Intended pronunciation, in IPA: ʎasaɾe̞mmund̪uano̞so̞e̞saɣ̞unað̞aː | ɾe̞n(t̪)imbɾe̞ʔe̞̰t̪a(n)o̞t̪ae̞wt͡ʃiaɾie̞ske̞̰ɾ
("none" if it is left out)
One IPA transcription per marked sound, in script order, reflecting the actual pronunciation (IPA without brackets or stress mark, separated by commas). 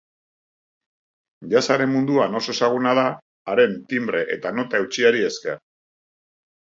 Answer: t̪, n